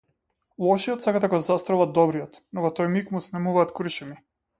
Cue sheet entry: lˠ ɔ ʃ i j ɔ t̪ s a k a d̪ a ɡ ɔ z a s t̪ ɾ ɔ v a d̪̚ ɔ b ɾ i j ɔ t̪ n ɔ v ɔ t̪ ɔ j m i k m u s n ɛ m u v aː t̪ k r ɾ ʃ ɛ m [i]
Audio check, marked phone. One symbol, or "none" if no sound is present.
i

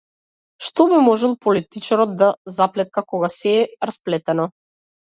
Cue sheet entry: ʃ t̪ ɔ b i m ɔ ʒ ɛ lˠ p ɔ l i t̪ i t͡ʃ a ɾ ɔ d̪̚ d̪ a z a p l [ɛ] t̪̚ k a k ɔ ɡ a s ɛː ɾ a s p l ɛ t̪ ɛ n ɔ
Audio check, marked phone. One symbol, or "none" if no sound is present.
ɛ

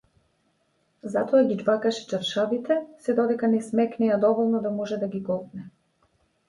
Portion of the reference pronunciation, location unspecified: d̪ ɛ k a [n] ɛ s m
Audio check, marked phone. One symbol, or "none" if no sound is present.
n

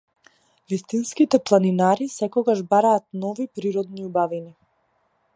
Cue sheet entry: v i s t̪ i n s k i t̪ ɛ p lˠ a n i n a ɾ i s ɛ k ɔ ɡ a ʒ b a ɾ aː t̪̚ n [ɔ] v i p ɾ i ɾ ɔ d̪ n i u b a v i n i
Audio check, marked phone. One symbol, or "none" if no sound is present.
ɔ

